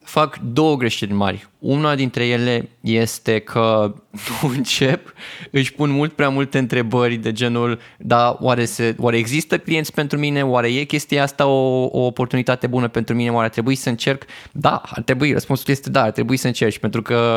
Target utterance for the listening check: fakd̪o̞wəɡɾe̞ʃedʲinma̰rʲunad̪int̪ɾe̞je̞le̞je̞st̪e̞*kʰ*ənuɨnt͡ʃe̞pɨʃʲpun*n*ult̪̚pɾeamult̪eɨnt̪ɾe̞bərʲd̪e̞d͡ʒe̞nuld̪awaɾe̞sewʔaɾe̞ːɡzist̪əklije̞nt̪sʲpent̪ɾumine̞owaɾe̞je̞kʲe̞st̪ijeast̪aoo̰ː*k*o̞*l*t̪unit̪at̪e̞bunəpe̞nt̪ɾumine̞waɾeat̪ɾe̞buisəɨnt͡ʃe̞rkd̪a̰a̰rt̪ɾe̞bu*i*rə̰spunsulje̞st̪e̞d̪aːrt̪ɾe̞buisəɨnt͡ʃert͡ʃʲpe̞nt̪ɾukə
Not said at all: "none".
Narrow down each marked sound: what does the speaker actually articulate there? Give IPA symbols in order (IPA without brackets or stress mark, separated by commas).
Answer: kʰ, m, p, r, i